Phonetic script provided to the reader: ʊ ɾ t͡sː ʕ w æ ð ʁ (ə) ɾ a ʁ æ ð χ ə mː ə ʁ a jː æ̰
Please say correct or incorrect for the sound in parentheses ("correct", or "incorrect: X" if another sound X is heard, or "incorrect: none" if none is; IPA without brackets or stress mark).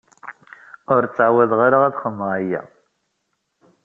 incorrect: a